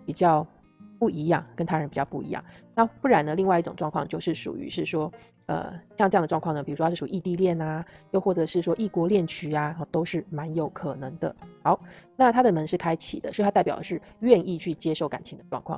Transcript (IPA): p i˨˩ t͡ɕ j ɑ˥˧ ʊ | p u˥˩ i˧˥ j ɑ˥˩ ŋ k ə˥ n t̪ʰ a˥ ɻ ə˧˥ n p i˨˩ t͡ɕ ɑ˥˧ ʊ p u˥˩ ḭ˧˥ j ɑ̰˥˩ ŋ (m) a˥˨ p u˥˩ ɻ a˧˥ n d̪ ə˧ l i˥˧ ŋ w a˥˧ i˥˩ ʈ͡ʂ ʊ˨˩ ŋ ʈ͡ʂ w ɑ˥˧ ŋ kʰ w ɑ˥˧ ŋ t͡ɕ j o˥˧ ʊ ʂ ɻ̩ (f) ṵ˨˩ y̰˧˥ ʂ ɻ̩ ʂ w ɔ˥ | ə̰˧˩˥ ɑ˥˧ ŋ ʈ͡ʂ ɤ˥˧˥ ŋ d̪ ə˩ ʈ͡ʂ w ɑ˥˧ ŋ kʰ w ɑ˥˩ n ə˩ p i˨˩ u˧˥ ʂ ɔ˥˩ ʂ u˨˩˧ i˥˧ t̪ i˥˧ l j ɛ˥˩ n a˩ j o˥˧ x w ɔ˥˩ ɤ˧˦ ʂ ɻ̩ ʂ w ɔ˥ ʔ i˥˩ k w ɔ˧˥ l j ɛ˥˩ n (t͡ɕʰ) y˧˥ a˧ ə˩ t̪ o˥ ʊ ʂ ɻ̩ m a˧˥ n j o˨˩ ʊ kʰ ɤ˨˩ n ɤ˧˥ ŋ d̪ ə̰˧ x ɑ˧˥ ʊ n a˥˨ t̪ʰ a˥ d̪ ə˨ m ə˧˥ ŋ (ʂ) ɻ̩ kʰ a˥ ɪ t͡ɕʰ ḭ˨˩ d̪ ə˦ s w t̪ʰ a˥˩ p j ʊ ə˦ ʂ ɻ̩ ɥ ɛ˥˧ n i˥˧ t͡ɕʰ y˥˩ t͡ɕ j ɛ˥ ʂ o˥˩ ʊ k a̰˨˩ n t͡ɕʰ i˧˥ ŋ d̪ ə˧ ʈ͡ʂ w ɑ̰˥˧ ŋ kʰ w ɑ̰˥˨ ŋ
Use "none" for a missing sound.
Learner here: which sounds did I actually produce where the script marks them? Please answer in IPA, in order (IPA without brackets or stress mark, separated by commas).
n, ʂ, t͡ɕʰ, ʂ